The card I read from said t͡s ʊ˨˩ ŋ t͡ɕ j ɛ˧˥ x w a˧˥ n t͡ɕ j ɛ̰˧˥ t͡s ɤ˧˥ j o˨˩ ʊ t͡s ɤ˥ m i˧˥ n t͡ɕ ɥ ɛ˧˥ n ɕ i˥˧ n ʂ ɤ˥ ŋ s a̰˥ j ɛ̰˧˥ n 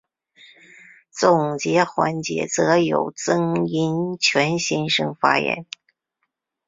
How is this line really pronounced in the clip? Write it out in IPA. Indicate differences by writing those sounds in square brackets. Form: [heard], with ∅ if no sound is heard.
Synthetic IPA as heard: t͡s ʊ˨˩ ŋ t͡ɕ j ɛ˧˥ x w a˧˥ n t͡ɕ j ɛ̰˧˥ t͡s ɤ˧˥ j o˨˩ ʊ t͡s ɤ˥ [ŋ] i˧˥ n [t͡ɕʰ] ɥ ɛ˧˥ n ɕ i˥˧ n ʂ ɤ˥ ŋ [f] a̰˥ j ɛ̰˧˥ n